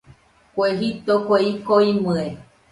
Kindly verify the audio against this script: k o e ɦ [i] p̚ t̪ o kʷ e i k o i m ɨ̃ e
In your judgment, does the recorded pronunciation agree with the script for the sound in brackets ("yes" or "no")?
yes